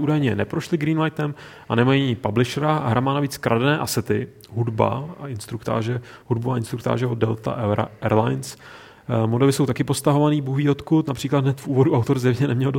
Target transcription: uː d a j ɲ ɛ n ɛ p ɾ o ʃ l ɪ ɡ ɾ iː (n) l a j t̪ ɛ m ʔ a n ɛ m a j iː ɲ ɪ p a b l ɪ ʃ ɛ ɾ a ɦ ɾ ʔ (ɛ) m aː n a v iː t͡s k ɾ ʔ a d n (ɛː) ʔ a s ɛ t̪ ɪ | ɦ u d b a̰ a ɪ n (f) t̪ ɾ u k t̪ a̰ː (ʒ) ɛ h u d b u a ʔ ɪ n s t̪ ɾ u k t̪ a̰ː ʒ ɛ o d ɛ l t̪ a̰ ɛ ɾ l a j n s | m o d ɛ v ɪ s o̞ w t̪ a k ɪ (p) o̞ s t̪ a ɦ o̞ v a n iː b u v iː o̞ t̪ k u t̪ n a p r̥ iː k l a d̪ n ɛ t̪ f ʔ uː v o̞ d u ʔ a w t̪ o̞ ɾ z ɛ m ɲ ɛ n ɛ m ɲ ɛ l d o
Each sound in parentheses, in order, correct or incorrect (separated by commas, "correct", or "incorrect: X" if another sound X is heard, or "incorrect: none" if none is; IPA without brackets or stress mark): correct, incorrect: a, correct, incorrect: s, correct, correct